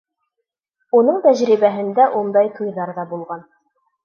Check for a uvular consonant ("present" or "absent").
present